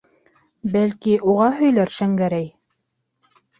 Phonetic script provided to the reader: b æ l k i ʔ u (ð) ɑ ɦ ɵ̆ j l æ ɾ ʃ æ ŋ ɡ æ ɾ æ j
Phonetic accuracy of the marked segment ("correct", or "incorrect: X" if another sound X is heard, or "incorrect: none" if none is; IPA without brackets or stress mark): incorrect: ʁ